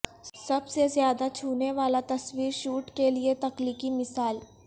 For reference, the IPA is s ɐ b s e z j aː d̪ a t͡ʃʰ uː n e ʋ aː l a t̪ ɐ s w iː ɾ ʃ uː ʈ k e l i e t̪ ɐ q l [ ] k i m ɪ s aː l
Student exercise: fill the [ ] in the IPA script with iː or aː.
iː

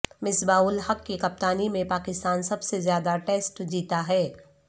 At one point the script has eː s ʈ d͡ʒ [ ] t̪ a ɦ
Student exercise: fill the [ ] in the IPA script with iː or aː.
iː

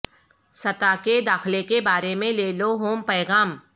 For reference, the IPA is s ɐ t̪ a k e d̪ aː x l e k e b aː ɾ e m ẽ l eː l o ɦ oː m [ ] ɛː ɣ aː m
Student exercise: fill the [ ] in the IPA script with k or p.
p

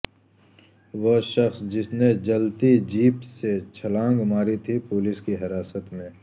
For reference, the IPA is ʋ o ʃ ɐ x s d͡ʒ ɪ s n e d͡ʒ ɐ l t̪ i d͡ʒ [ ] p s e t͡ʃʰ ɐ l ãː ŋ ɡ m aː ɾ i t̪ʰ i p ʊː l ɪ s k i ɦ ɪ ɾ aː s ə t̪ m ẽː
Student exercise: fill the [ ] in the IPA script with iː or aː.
iː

